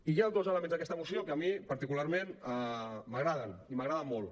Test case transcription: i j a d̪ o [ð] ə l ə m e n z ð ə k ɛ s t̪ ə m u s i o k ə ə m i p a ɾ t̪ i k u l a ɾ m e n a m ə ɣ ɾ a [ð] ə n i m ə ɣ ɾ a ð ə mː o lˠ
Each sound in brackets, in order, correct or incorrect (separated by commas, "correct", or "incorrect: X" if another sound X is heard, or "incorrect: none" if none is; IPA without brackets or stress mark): incorrect: z, correct